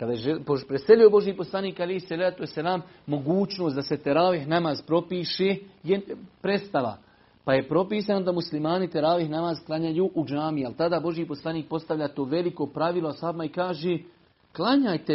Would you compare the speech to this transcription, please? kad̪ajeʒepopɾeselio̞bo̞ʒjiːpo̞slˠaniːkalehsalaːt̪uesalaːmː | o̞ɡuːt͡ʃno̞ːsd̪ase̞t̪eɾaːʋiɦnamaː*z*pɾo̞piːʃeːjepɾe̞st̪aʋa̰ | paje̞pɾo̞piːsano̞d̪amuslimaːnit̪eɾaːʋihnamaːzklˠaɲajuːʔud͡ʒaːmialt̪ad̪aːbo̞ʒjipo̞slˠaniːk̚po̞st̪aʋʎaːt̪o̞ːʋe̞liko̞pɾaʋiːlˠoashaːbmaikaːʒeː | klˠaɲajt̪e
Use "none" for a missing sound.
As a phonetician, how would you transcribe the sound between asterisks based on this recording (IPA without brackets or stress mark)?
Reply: z